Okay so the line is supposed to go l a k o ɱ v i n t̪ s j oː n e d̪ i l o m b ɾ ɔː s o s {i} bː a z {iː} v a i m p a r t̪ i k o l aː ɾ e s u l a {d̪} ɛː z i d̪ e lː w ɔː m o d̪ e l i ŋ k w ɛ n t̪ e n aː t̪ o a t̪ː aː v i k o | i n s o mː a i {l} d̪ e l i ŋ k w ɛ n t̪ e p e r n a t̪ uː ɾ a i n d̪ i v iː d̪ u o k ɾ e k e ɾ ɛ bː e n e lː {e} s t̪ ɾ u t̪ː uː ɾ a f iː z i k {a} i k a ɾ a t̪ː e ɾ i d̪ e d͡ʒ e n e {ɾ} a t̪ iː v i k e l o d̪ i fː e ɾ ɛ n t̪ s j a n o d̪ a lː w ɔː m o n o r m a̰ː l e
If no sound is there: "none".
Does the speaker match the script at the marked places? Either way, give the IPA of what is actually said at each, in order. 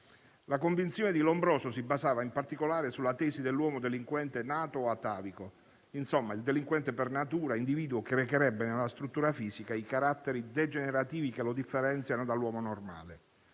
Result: i, aː, t̪, l, a, a, ɾ

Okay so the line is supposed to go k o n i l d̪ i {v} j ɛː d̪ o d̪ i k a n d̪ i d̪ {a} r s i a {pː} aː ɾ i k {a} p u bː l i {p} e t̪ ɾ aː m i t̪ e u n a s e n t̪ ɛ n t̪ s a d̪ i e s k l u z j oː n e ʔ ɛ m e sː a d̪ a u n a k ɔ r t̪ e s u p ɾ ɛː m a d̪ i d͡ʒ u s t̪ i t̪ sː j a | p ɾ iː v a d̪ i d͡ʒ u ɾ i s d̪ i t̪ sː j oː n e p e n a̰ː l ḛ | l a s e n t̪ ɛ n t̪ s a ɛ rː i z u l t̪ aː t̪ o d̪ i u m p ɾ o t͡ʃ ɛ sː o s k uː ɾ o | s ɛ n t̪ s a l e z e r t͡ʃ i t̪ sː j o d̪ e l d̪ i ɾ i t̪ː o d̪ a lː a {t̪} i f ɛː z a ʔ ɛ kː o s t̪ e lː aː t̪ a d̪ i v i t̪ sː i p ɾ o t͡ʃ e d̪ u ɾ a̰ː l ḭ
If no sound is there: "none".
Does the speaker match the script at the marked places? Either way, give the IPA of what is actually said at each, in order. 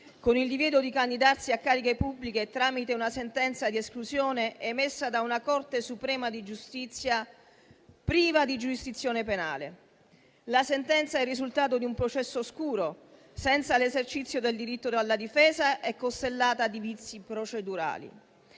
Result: v, a, kː, e, k, d̪

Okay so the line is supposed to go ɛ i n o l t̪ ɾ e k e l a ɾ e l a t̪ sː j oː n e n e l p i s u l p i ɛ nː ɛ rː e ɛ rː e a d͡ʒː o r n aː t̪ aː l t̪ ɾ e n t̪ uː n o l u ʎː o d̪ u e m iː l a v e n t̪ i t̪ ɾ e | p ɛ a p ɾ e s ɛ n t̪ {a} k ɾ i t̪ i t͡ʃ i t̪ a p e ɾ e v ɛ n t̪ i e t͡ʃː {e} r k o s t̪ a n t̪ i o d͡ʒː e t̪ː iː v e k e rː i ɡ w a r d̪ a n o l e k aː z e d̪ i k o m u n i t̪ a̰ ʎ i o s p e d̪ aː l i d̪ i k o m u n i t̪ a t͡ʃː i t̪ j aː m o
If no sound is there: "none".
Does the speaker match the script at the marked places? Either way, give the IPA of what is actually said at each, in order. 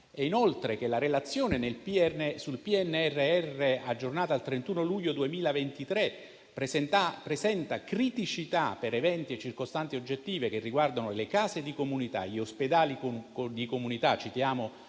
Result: a, i

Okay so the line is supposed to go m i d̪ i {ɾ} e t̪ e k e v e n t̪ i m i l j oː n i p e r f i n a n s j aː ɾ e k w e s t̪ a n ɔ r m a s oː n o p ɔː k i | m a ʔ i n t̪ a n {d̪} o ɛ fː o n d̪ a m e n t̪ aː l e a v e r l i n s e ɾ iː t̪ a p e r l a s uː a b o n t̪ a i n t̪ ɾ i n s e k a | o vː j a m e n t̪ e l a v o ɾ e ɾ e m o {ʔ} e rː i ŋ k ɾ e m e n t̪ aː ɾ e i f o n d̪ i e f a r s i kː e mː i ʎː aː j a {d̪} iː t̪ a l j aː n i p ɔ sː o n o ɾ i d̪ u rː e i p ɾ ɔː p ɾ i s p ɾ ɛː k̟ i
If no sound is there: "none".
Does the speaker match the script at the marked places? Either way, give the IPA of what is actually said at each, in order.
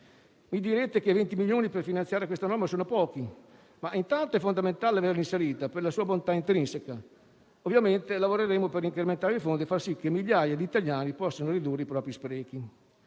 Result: ɾ, t̪, p, d̪

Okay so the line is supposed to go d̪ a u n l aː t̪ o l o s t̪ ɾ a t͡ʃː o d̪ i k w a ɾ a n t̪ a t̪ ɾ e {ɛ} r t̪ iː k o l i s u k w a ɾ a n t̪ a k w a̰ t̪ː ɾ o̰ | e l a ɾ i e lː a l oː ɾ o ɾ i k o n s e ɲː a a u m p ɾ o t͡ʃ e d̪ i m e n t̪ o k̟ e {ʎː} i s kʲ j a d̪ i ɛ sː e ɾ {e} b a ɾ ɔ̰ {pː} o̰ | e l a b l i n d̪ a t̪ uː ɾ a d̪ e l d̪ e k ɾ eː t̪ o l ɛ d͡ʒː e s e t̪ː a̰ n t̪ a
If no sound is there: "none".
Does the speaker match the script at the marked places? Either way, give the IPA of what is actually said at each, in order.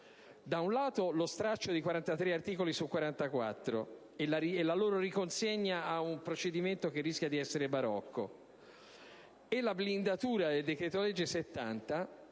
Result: a, rː, e, kː

